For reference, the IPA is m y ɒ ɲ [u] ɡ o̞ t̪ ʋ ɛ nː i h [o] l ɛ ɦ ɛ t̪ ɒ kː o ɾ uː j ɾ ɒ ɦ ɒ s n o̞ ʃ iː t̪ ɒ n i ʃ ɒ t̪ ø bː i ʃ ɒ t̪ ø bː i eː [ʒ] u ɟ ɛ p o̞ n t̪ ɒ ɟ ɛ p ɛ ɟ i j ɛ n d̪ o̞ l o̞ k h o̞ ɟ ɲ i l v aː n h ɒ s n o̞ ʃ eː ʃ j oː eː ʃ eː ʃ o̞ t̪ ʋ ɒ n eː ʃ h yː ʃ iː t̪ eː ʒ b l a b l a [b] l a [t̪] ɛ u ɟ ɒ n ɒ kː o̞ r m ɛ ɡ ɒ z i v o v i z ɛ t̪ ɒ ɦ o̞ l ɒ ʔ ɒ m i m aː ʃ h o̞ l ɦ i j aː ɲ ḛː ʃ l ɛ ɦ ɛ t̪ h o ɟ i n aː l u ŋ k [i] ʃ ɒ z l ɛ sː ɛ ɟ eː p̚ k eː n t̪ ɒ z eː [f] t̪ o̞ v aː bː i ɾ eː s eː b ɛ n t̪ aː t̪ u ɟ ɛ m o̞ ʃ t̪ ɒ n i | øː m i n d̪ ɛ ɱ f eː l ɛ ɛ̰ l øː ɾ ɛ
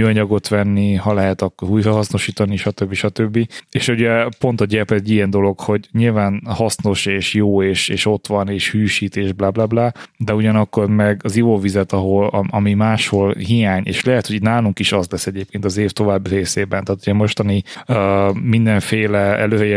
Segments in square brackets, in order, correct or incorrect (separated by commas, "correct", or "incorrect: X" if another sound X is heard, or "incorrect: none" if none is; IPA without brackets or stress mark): incorrect: ɒ, incorrect: ɒ, incorrect: ʃ, correct, incorrect: d̪, correct, correct